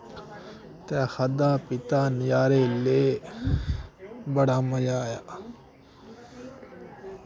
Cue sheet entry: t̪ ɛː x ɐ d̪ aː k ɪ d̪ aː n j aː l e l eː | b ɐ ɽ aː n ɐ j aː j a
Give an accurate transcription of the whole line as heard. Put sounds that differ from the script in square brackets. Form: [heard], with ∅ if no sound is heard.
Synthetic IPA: t̪ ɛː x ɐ d̪ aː [p] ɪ [t̪] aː n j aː [ɾ] e l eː | b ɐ ɽ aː [m] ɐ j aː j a